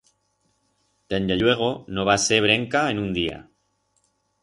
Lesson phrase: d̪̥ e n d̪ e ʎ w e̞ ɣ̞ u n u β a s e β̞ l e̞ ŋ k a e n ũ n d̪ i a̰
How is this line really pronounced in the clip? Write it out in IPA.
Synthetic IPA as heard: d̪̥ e n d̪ e ʎ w e̞ ɣ̞ o n o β a s e β̞ ɾ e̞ ŋ k a e n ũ n d̪ i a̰